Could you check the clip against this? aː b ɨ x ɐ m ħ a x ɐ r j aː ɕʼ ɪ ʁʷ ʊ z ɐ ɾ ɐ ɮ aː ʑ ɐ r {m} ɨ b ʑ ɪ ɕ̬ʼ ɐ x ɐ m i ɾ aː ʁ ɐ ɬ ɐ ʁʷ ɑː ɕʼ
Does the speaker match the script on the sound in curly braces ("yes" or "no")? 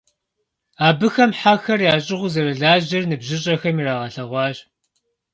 no